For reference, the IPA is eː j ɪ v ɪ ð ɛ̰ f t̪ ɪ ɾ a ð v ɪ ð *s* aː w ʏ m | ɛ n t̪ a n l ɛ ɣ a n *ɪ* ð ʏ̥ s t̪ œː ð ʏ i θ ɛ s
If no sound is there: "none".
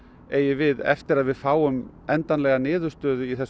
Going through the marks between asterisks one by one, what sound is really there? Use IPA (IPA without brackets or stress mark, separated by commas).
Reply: f, ɪː